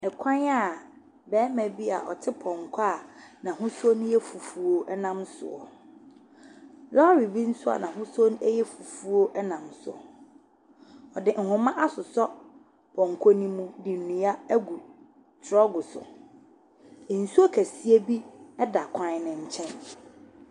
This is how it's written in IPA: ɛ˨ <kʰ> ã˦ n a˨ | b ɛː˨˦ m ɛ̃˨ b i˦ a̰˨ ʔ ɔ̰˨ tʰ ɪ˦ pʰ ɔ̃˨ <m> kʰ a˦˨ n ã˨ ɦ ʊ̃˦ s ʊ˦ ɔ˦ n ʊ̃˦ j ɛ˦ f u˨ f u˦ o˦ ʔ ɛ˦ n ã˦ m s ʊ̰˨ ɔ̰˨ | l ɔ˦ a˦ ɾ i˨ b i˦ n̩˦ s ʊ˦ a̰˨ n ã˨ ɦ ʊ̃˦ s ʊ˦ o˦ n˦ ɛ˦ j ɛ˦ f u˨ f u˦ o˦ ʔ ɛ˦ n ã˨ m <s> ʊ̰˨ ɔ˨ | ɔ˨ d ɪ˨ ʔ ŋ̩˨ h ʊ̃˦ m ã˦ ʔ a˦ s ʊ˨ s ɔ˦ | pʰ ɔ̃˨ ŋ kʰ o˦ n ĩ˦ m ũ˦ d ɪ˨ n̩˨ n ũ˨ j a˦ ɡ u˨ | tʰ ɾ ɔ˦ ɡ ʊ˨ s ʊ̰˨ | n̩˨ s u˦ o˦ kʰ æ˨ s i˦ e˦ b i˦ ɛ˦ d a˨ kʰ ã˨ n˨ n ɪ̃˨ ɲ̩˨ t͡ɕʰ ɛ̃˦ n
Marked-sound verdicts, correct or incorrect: correct, incorrect: ŋ, correct

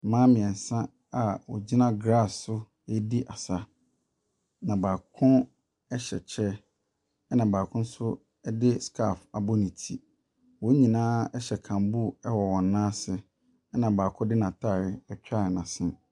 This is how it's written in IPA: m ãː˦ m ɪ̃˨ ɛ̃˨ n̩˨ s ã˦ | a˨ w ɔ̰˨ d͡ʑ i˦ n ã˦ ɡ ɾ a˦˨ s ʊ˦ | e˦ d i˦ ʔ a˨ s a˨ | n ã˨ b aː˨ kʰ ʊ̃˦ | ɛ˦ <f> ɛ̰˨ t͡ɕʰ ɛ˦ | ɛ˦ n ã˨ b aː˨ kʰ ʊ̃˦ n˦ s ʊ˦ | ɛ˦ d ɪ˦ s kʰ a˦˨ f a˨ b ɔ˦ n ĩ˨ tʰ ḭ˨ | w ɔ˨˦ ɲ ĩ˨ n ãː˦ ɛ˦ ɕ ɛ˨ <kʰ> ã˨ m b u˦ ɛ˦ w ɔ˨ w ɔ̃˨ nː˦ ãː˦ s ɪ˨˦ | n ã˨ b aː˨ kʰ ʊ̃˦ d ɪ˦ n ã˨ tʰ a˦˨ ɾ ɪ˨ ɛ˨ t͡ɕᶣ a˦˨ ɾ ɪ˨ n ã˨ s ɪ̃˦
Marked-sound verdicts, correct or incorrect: incorrect: ɕ, correct

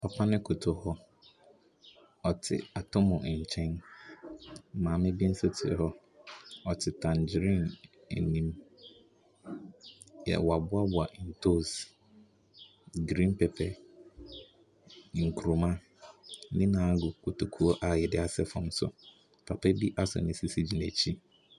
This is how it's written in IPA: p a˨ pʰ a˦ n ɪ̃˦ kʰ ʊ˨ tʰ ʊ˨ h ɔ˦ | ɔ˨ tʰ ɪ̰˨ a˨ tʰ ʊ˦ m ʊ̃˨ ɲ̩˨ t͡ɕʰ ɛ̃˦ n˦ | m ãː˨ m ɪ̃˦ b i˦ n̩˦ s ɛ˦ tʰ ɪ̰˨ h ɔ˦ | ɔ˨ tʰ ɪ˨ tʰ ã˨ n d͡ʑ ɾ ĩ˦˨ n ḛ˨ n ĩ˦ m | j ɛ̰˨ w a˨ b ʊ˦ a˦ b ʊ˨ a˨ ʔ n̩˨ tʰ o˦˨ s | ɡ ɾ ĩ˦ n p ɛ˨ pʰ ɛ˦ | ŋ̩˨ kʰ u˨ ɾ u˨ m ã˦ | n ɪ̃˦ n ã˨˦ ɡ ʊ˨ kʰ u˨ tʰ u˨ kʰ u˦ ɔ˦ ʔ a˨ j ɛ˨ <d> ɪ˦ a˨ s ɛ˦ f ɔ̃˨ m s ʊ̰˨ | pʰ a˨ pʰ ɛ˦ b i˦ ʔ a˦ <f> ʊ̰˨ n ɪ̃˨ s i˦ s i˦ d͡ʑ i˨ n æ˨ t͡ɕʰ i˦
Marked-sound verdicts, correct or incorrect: correct, incorrect: s

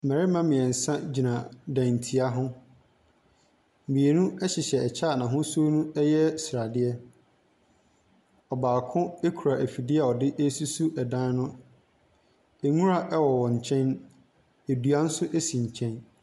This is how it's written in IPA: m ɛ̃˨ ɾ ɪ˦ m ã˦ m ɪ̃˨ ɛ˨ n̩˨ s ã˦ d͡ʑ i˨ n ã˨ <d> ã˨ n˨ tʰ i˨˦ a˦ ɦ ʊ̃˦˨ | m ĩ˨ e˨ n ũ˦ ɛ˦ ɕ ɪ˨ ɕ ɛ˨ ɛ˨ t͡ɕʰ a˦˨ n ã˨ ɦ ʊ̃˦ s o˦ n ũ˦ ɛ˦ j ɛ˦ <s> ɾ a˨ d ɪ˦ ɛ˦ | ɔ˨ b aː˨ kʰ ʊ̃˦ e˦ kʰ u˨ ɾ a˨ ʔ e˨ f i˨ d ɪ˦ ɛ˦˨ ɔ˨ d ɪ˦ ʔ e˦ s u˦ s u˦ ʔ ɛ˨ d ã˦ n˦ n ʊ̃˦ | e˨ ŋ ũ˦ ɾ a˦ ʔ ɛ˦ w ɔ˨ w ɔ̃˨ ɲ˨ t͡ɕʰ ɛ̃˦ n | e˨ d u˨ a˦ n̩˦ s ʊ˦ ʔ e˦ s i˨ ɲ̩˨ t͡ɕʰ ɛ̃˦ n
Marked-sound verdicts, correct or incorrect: correct, correct

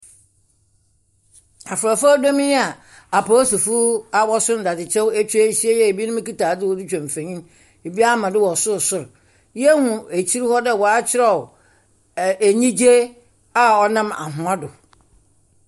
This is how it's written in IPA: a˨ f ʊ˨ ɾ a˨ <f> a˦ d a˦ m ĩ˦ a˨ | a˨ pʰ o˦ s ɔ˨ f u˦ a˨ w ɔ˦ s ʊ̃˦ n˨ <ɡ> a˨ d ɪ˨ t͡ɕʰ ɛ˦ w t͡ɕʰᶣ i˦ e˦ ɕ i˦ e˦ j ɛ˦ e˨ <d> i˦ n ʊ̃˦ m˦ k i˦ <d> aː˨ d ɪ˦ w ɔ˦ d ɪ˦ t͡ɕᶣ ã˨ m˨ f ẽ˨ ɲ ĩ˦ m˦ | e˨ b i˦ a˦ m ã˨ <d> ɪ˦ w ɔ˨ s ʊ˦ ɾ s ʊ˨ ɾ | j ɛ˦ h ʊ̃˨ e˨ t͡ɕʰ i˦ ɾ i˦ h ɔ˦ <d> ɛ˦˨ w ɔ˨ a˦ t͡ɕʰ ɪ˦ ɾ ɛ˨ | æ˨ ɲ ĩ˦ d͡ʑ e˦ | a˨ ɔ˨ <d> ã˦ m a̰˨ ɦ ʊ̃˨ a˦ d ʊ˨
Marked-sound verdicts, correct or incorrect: correct, incorrect: d, incorrect: b, incorrect: t, correct, correct, incorrect: n

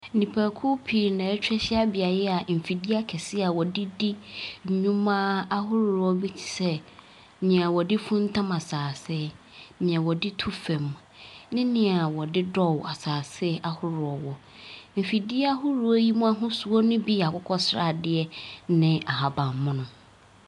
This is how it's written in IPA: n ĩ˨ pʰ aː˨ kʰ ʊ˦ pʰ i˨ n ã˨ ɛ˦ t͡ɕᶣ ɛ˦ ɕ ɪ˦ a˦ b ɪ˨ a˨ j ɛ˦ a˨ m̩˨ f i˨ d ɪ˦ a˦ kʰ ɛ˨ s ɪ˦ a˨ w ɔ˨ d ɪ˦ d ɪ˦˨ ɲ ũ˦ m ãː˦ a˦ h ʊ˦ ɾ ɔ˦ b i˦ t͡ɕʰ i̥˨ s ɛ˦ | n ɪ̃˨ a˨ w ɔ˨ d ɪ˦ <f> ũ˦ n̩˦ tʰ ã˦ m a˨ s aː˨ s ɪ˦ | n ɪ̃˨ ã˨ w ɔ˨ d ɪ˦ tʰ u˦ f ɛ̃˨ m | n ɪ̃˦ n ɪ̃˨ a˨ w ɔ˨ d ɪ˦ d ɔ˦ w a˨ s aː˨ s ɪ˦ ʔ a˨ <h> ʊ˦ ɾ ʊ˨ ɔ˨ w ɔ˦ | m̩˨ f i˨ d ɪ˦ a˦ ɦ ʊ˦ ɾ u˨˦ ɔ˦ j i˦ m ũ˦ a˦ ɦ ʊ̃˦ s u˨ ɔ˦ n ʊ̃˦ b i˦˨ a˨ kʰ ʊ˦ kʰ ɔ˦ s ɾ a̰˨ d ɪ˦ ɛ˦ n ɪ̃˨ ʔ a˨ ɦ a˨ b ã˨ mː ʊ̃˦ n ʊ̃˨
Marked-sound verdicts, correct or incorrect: correct, correct

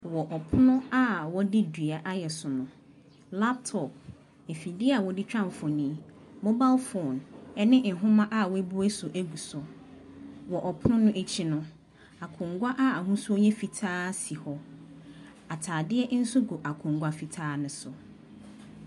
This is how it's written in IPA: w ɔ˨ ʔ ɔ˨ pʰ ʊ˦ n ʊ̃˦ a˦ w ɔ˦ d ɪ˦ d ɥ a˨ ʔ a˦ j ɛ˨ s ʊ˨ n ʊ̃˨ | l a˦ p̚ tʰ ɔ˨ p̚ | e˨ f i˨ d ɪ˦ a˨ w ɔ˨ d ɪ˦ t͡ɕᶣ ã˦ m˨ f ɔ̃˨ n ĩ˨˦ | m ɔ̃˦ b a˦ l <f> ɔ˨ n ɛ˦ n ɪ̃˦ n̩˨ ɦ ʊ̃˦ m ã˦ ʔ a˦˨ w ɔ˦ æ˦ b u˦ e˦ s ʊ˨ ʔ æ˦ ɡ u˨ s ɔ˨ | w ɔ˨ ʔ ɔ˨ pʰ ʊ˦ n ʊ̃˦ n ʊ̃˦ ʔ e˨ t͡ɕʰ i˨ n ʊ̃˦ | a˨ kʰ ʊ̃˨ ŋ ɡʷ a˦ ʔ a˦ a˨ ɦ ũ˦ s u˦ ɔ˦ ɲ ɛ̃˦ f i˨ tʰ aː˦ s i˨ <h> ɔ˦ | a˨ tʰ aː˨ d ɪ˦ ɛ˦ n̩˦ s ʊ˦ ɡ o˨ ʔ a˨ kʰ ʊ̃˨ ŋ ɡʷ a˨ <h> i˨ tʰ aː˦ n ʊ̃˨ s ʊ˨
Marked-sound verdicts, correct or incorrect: correct, correct, incorrect: f

